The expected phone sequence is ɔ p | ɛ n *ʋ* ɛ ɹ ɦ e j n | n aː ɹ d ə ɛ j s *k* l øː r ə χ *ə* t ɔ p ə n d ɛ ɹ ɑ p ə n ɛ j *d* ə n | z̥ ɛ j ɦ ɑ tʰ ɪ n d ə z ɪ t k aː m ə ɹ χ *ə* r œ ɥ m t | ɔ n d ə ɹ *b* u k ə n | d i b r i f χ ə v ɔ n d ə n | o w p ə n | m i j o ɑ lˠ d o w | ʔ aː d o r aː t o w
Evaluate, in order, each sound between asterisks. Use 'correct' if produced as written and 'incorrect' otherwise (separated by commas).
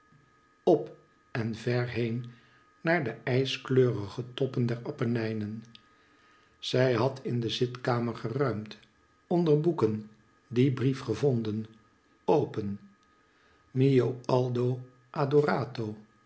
incorrect, correct, correct, incorrect, correct, correct